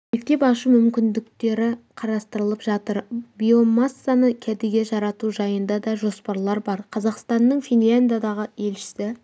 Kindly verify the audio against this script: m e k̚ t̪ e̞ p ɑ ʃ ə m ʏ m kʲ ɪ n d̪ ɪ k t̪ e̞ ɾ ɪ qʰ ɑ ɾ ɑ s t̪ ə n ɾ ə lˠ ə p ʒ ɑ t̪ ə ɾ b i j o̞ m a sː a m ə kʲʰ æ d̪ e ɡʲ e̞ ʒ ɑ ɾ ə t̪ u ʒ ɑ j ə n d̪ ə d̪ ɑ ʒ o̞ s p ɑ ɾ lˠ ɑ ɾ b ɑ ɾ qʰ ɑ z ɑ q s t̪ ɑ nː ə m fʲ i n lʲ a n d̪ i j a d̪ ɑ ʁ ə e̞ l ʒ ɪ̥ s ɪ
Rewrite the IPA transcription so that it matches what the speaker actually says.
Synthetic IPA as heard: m e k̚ t̪ e̞ p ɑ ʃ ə m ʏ m kʲ ɪ n d̪ ɪ k t̪ e̞ ɾ ɪ qʰ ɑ ɾ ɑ s t̪ ə ɾ ə lˠ ə p ʒ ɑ t̪ ə ɾ b i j o̞ m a sː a n ə kʲʰ æ d̪ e ɡʲ e̞ ʒ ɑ ɾ ɑ t̪ u ʒ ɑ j ə n d̪ ɑ d̪ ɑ ʒ o̞ s p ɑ ɾ lˠ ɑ ɾ b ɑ ɾ qʰ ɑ z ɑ q s t̪ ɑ nː ə ɴ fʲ i n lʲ a n d̪ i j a d̪ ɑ ʁ ə e̞ l ʃ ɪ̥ s ɪ